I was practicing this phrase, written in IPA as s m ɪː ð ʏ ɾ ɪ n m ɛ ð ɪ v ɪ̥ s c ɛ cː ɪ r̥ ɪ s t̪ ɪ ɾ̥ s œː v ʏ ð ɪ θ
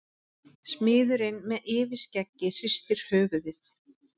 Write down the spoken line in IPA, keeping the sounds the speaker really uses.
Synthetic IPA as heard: s m ɪː ð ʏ ɾ ɪ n m ɛ ð ɪː v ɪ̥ s c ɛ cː ɪ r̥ ɪ s t̪ ɪ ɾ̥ h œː v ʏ ð ɪ θ